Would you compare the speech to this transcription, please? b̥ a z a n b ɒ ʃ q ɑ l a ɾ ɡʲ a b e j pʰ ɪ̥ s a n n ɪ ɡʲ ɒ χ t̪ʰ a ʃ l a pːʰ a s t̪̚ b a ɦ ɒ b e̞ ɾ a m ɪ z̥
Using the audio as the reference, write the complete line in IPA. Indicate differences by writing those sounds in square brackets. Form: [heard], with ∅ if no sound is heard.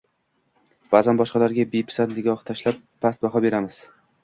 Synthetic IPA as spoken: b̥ a z a n b ɒ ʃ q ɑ l a ɾ ɡʲ a b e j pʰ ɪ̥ s a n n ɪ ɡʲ ɒ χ t̪ʰ a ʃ l a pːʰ a s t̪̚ b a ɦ ɒ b e̞ ɾ a m ɪ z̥